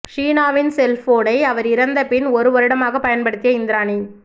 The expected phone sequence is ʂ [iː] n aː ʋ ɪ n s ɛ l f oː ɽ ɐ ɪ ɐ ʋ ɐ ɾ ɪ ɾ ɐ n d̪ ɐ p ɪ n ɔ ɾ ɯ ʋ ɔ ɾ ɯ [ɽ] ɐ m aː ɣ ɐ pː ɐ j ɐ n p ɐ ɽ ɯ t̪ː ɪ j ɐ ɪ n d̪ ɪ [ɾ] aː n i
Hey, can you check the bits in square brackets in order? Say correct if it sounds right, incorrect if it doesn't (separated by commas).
correct, correct, correct